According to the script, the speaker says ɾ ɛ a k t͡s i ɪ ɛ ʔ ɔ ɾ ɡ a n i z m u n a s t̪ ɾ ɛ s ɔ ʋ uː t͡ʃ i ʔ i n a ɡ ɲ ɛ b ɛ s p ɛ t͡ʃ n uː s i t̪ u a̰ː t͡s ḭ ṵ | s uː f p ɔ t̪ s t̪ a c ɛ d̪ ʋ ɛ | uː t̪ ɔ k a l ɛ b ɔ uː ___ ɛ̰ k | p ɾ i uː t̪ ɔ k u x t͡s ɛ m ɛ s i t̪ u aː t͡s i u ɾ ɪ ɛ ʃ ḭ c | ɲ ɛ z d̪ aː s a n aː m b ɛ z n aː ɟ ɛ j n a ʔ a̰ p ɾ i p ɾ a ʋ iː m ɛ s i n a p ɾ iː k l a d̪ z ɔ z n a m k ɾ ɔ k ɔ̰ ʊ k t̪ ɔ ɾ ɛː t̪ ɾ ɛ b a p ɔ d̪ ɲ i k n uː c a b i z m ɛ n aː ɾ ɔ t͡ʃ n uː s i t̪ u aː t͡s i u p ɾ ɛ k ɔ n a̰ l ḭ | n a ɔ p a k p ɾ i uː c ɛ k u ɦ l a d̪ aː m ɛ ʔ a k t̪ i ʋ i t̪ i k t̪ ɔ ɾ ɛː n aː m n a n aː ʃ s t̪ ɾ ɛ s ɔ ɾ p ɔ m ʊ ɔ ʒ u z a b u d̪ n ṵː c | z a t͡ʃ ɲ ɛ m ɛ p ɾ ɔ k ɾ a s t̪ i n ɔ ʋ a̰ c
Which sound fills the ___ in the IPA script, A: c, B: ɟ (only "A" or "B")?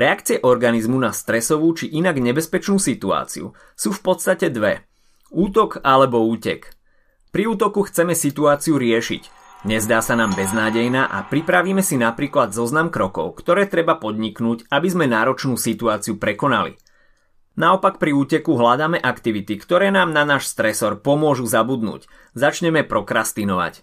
A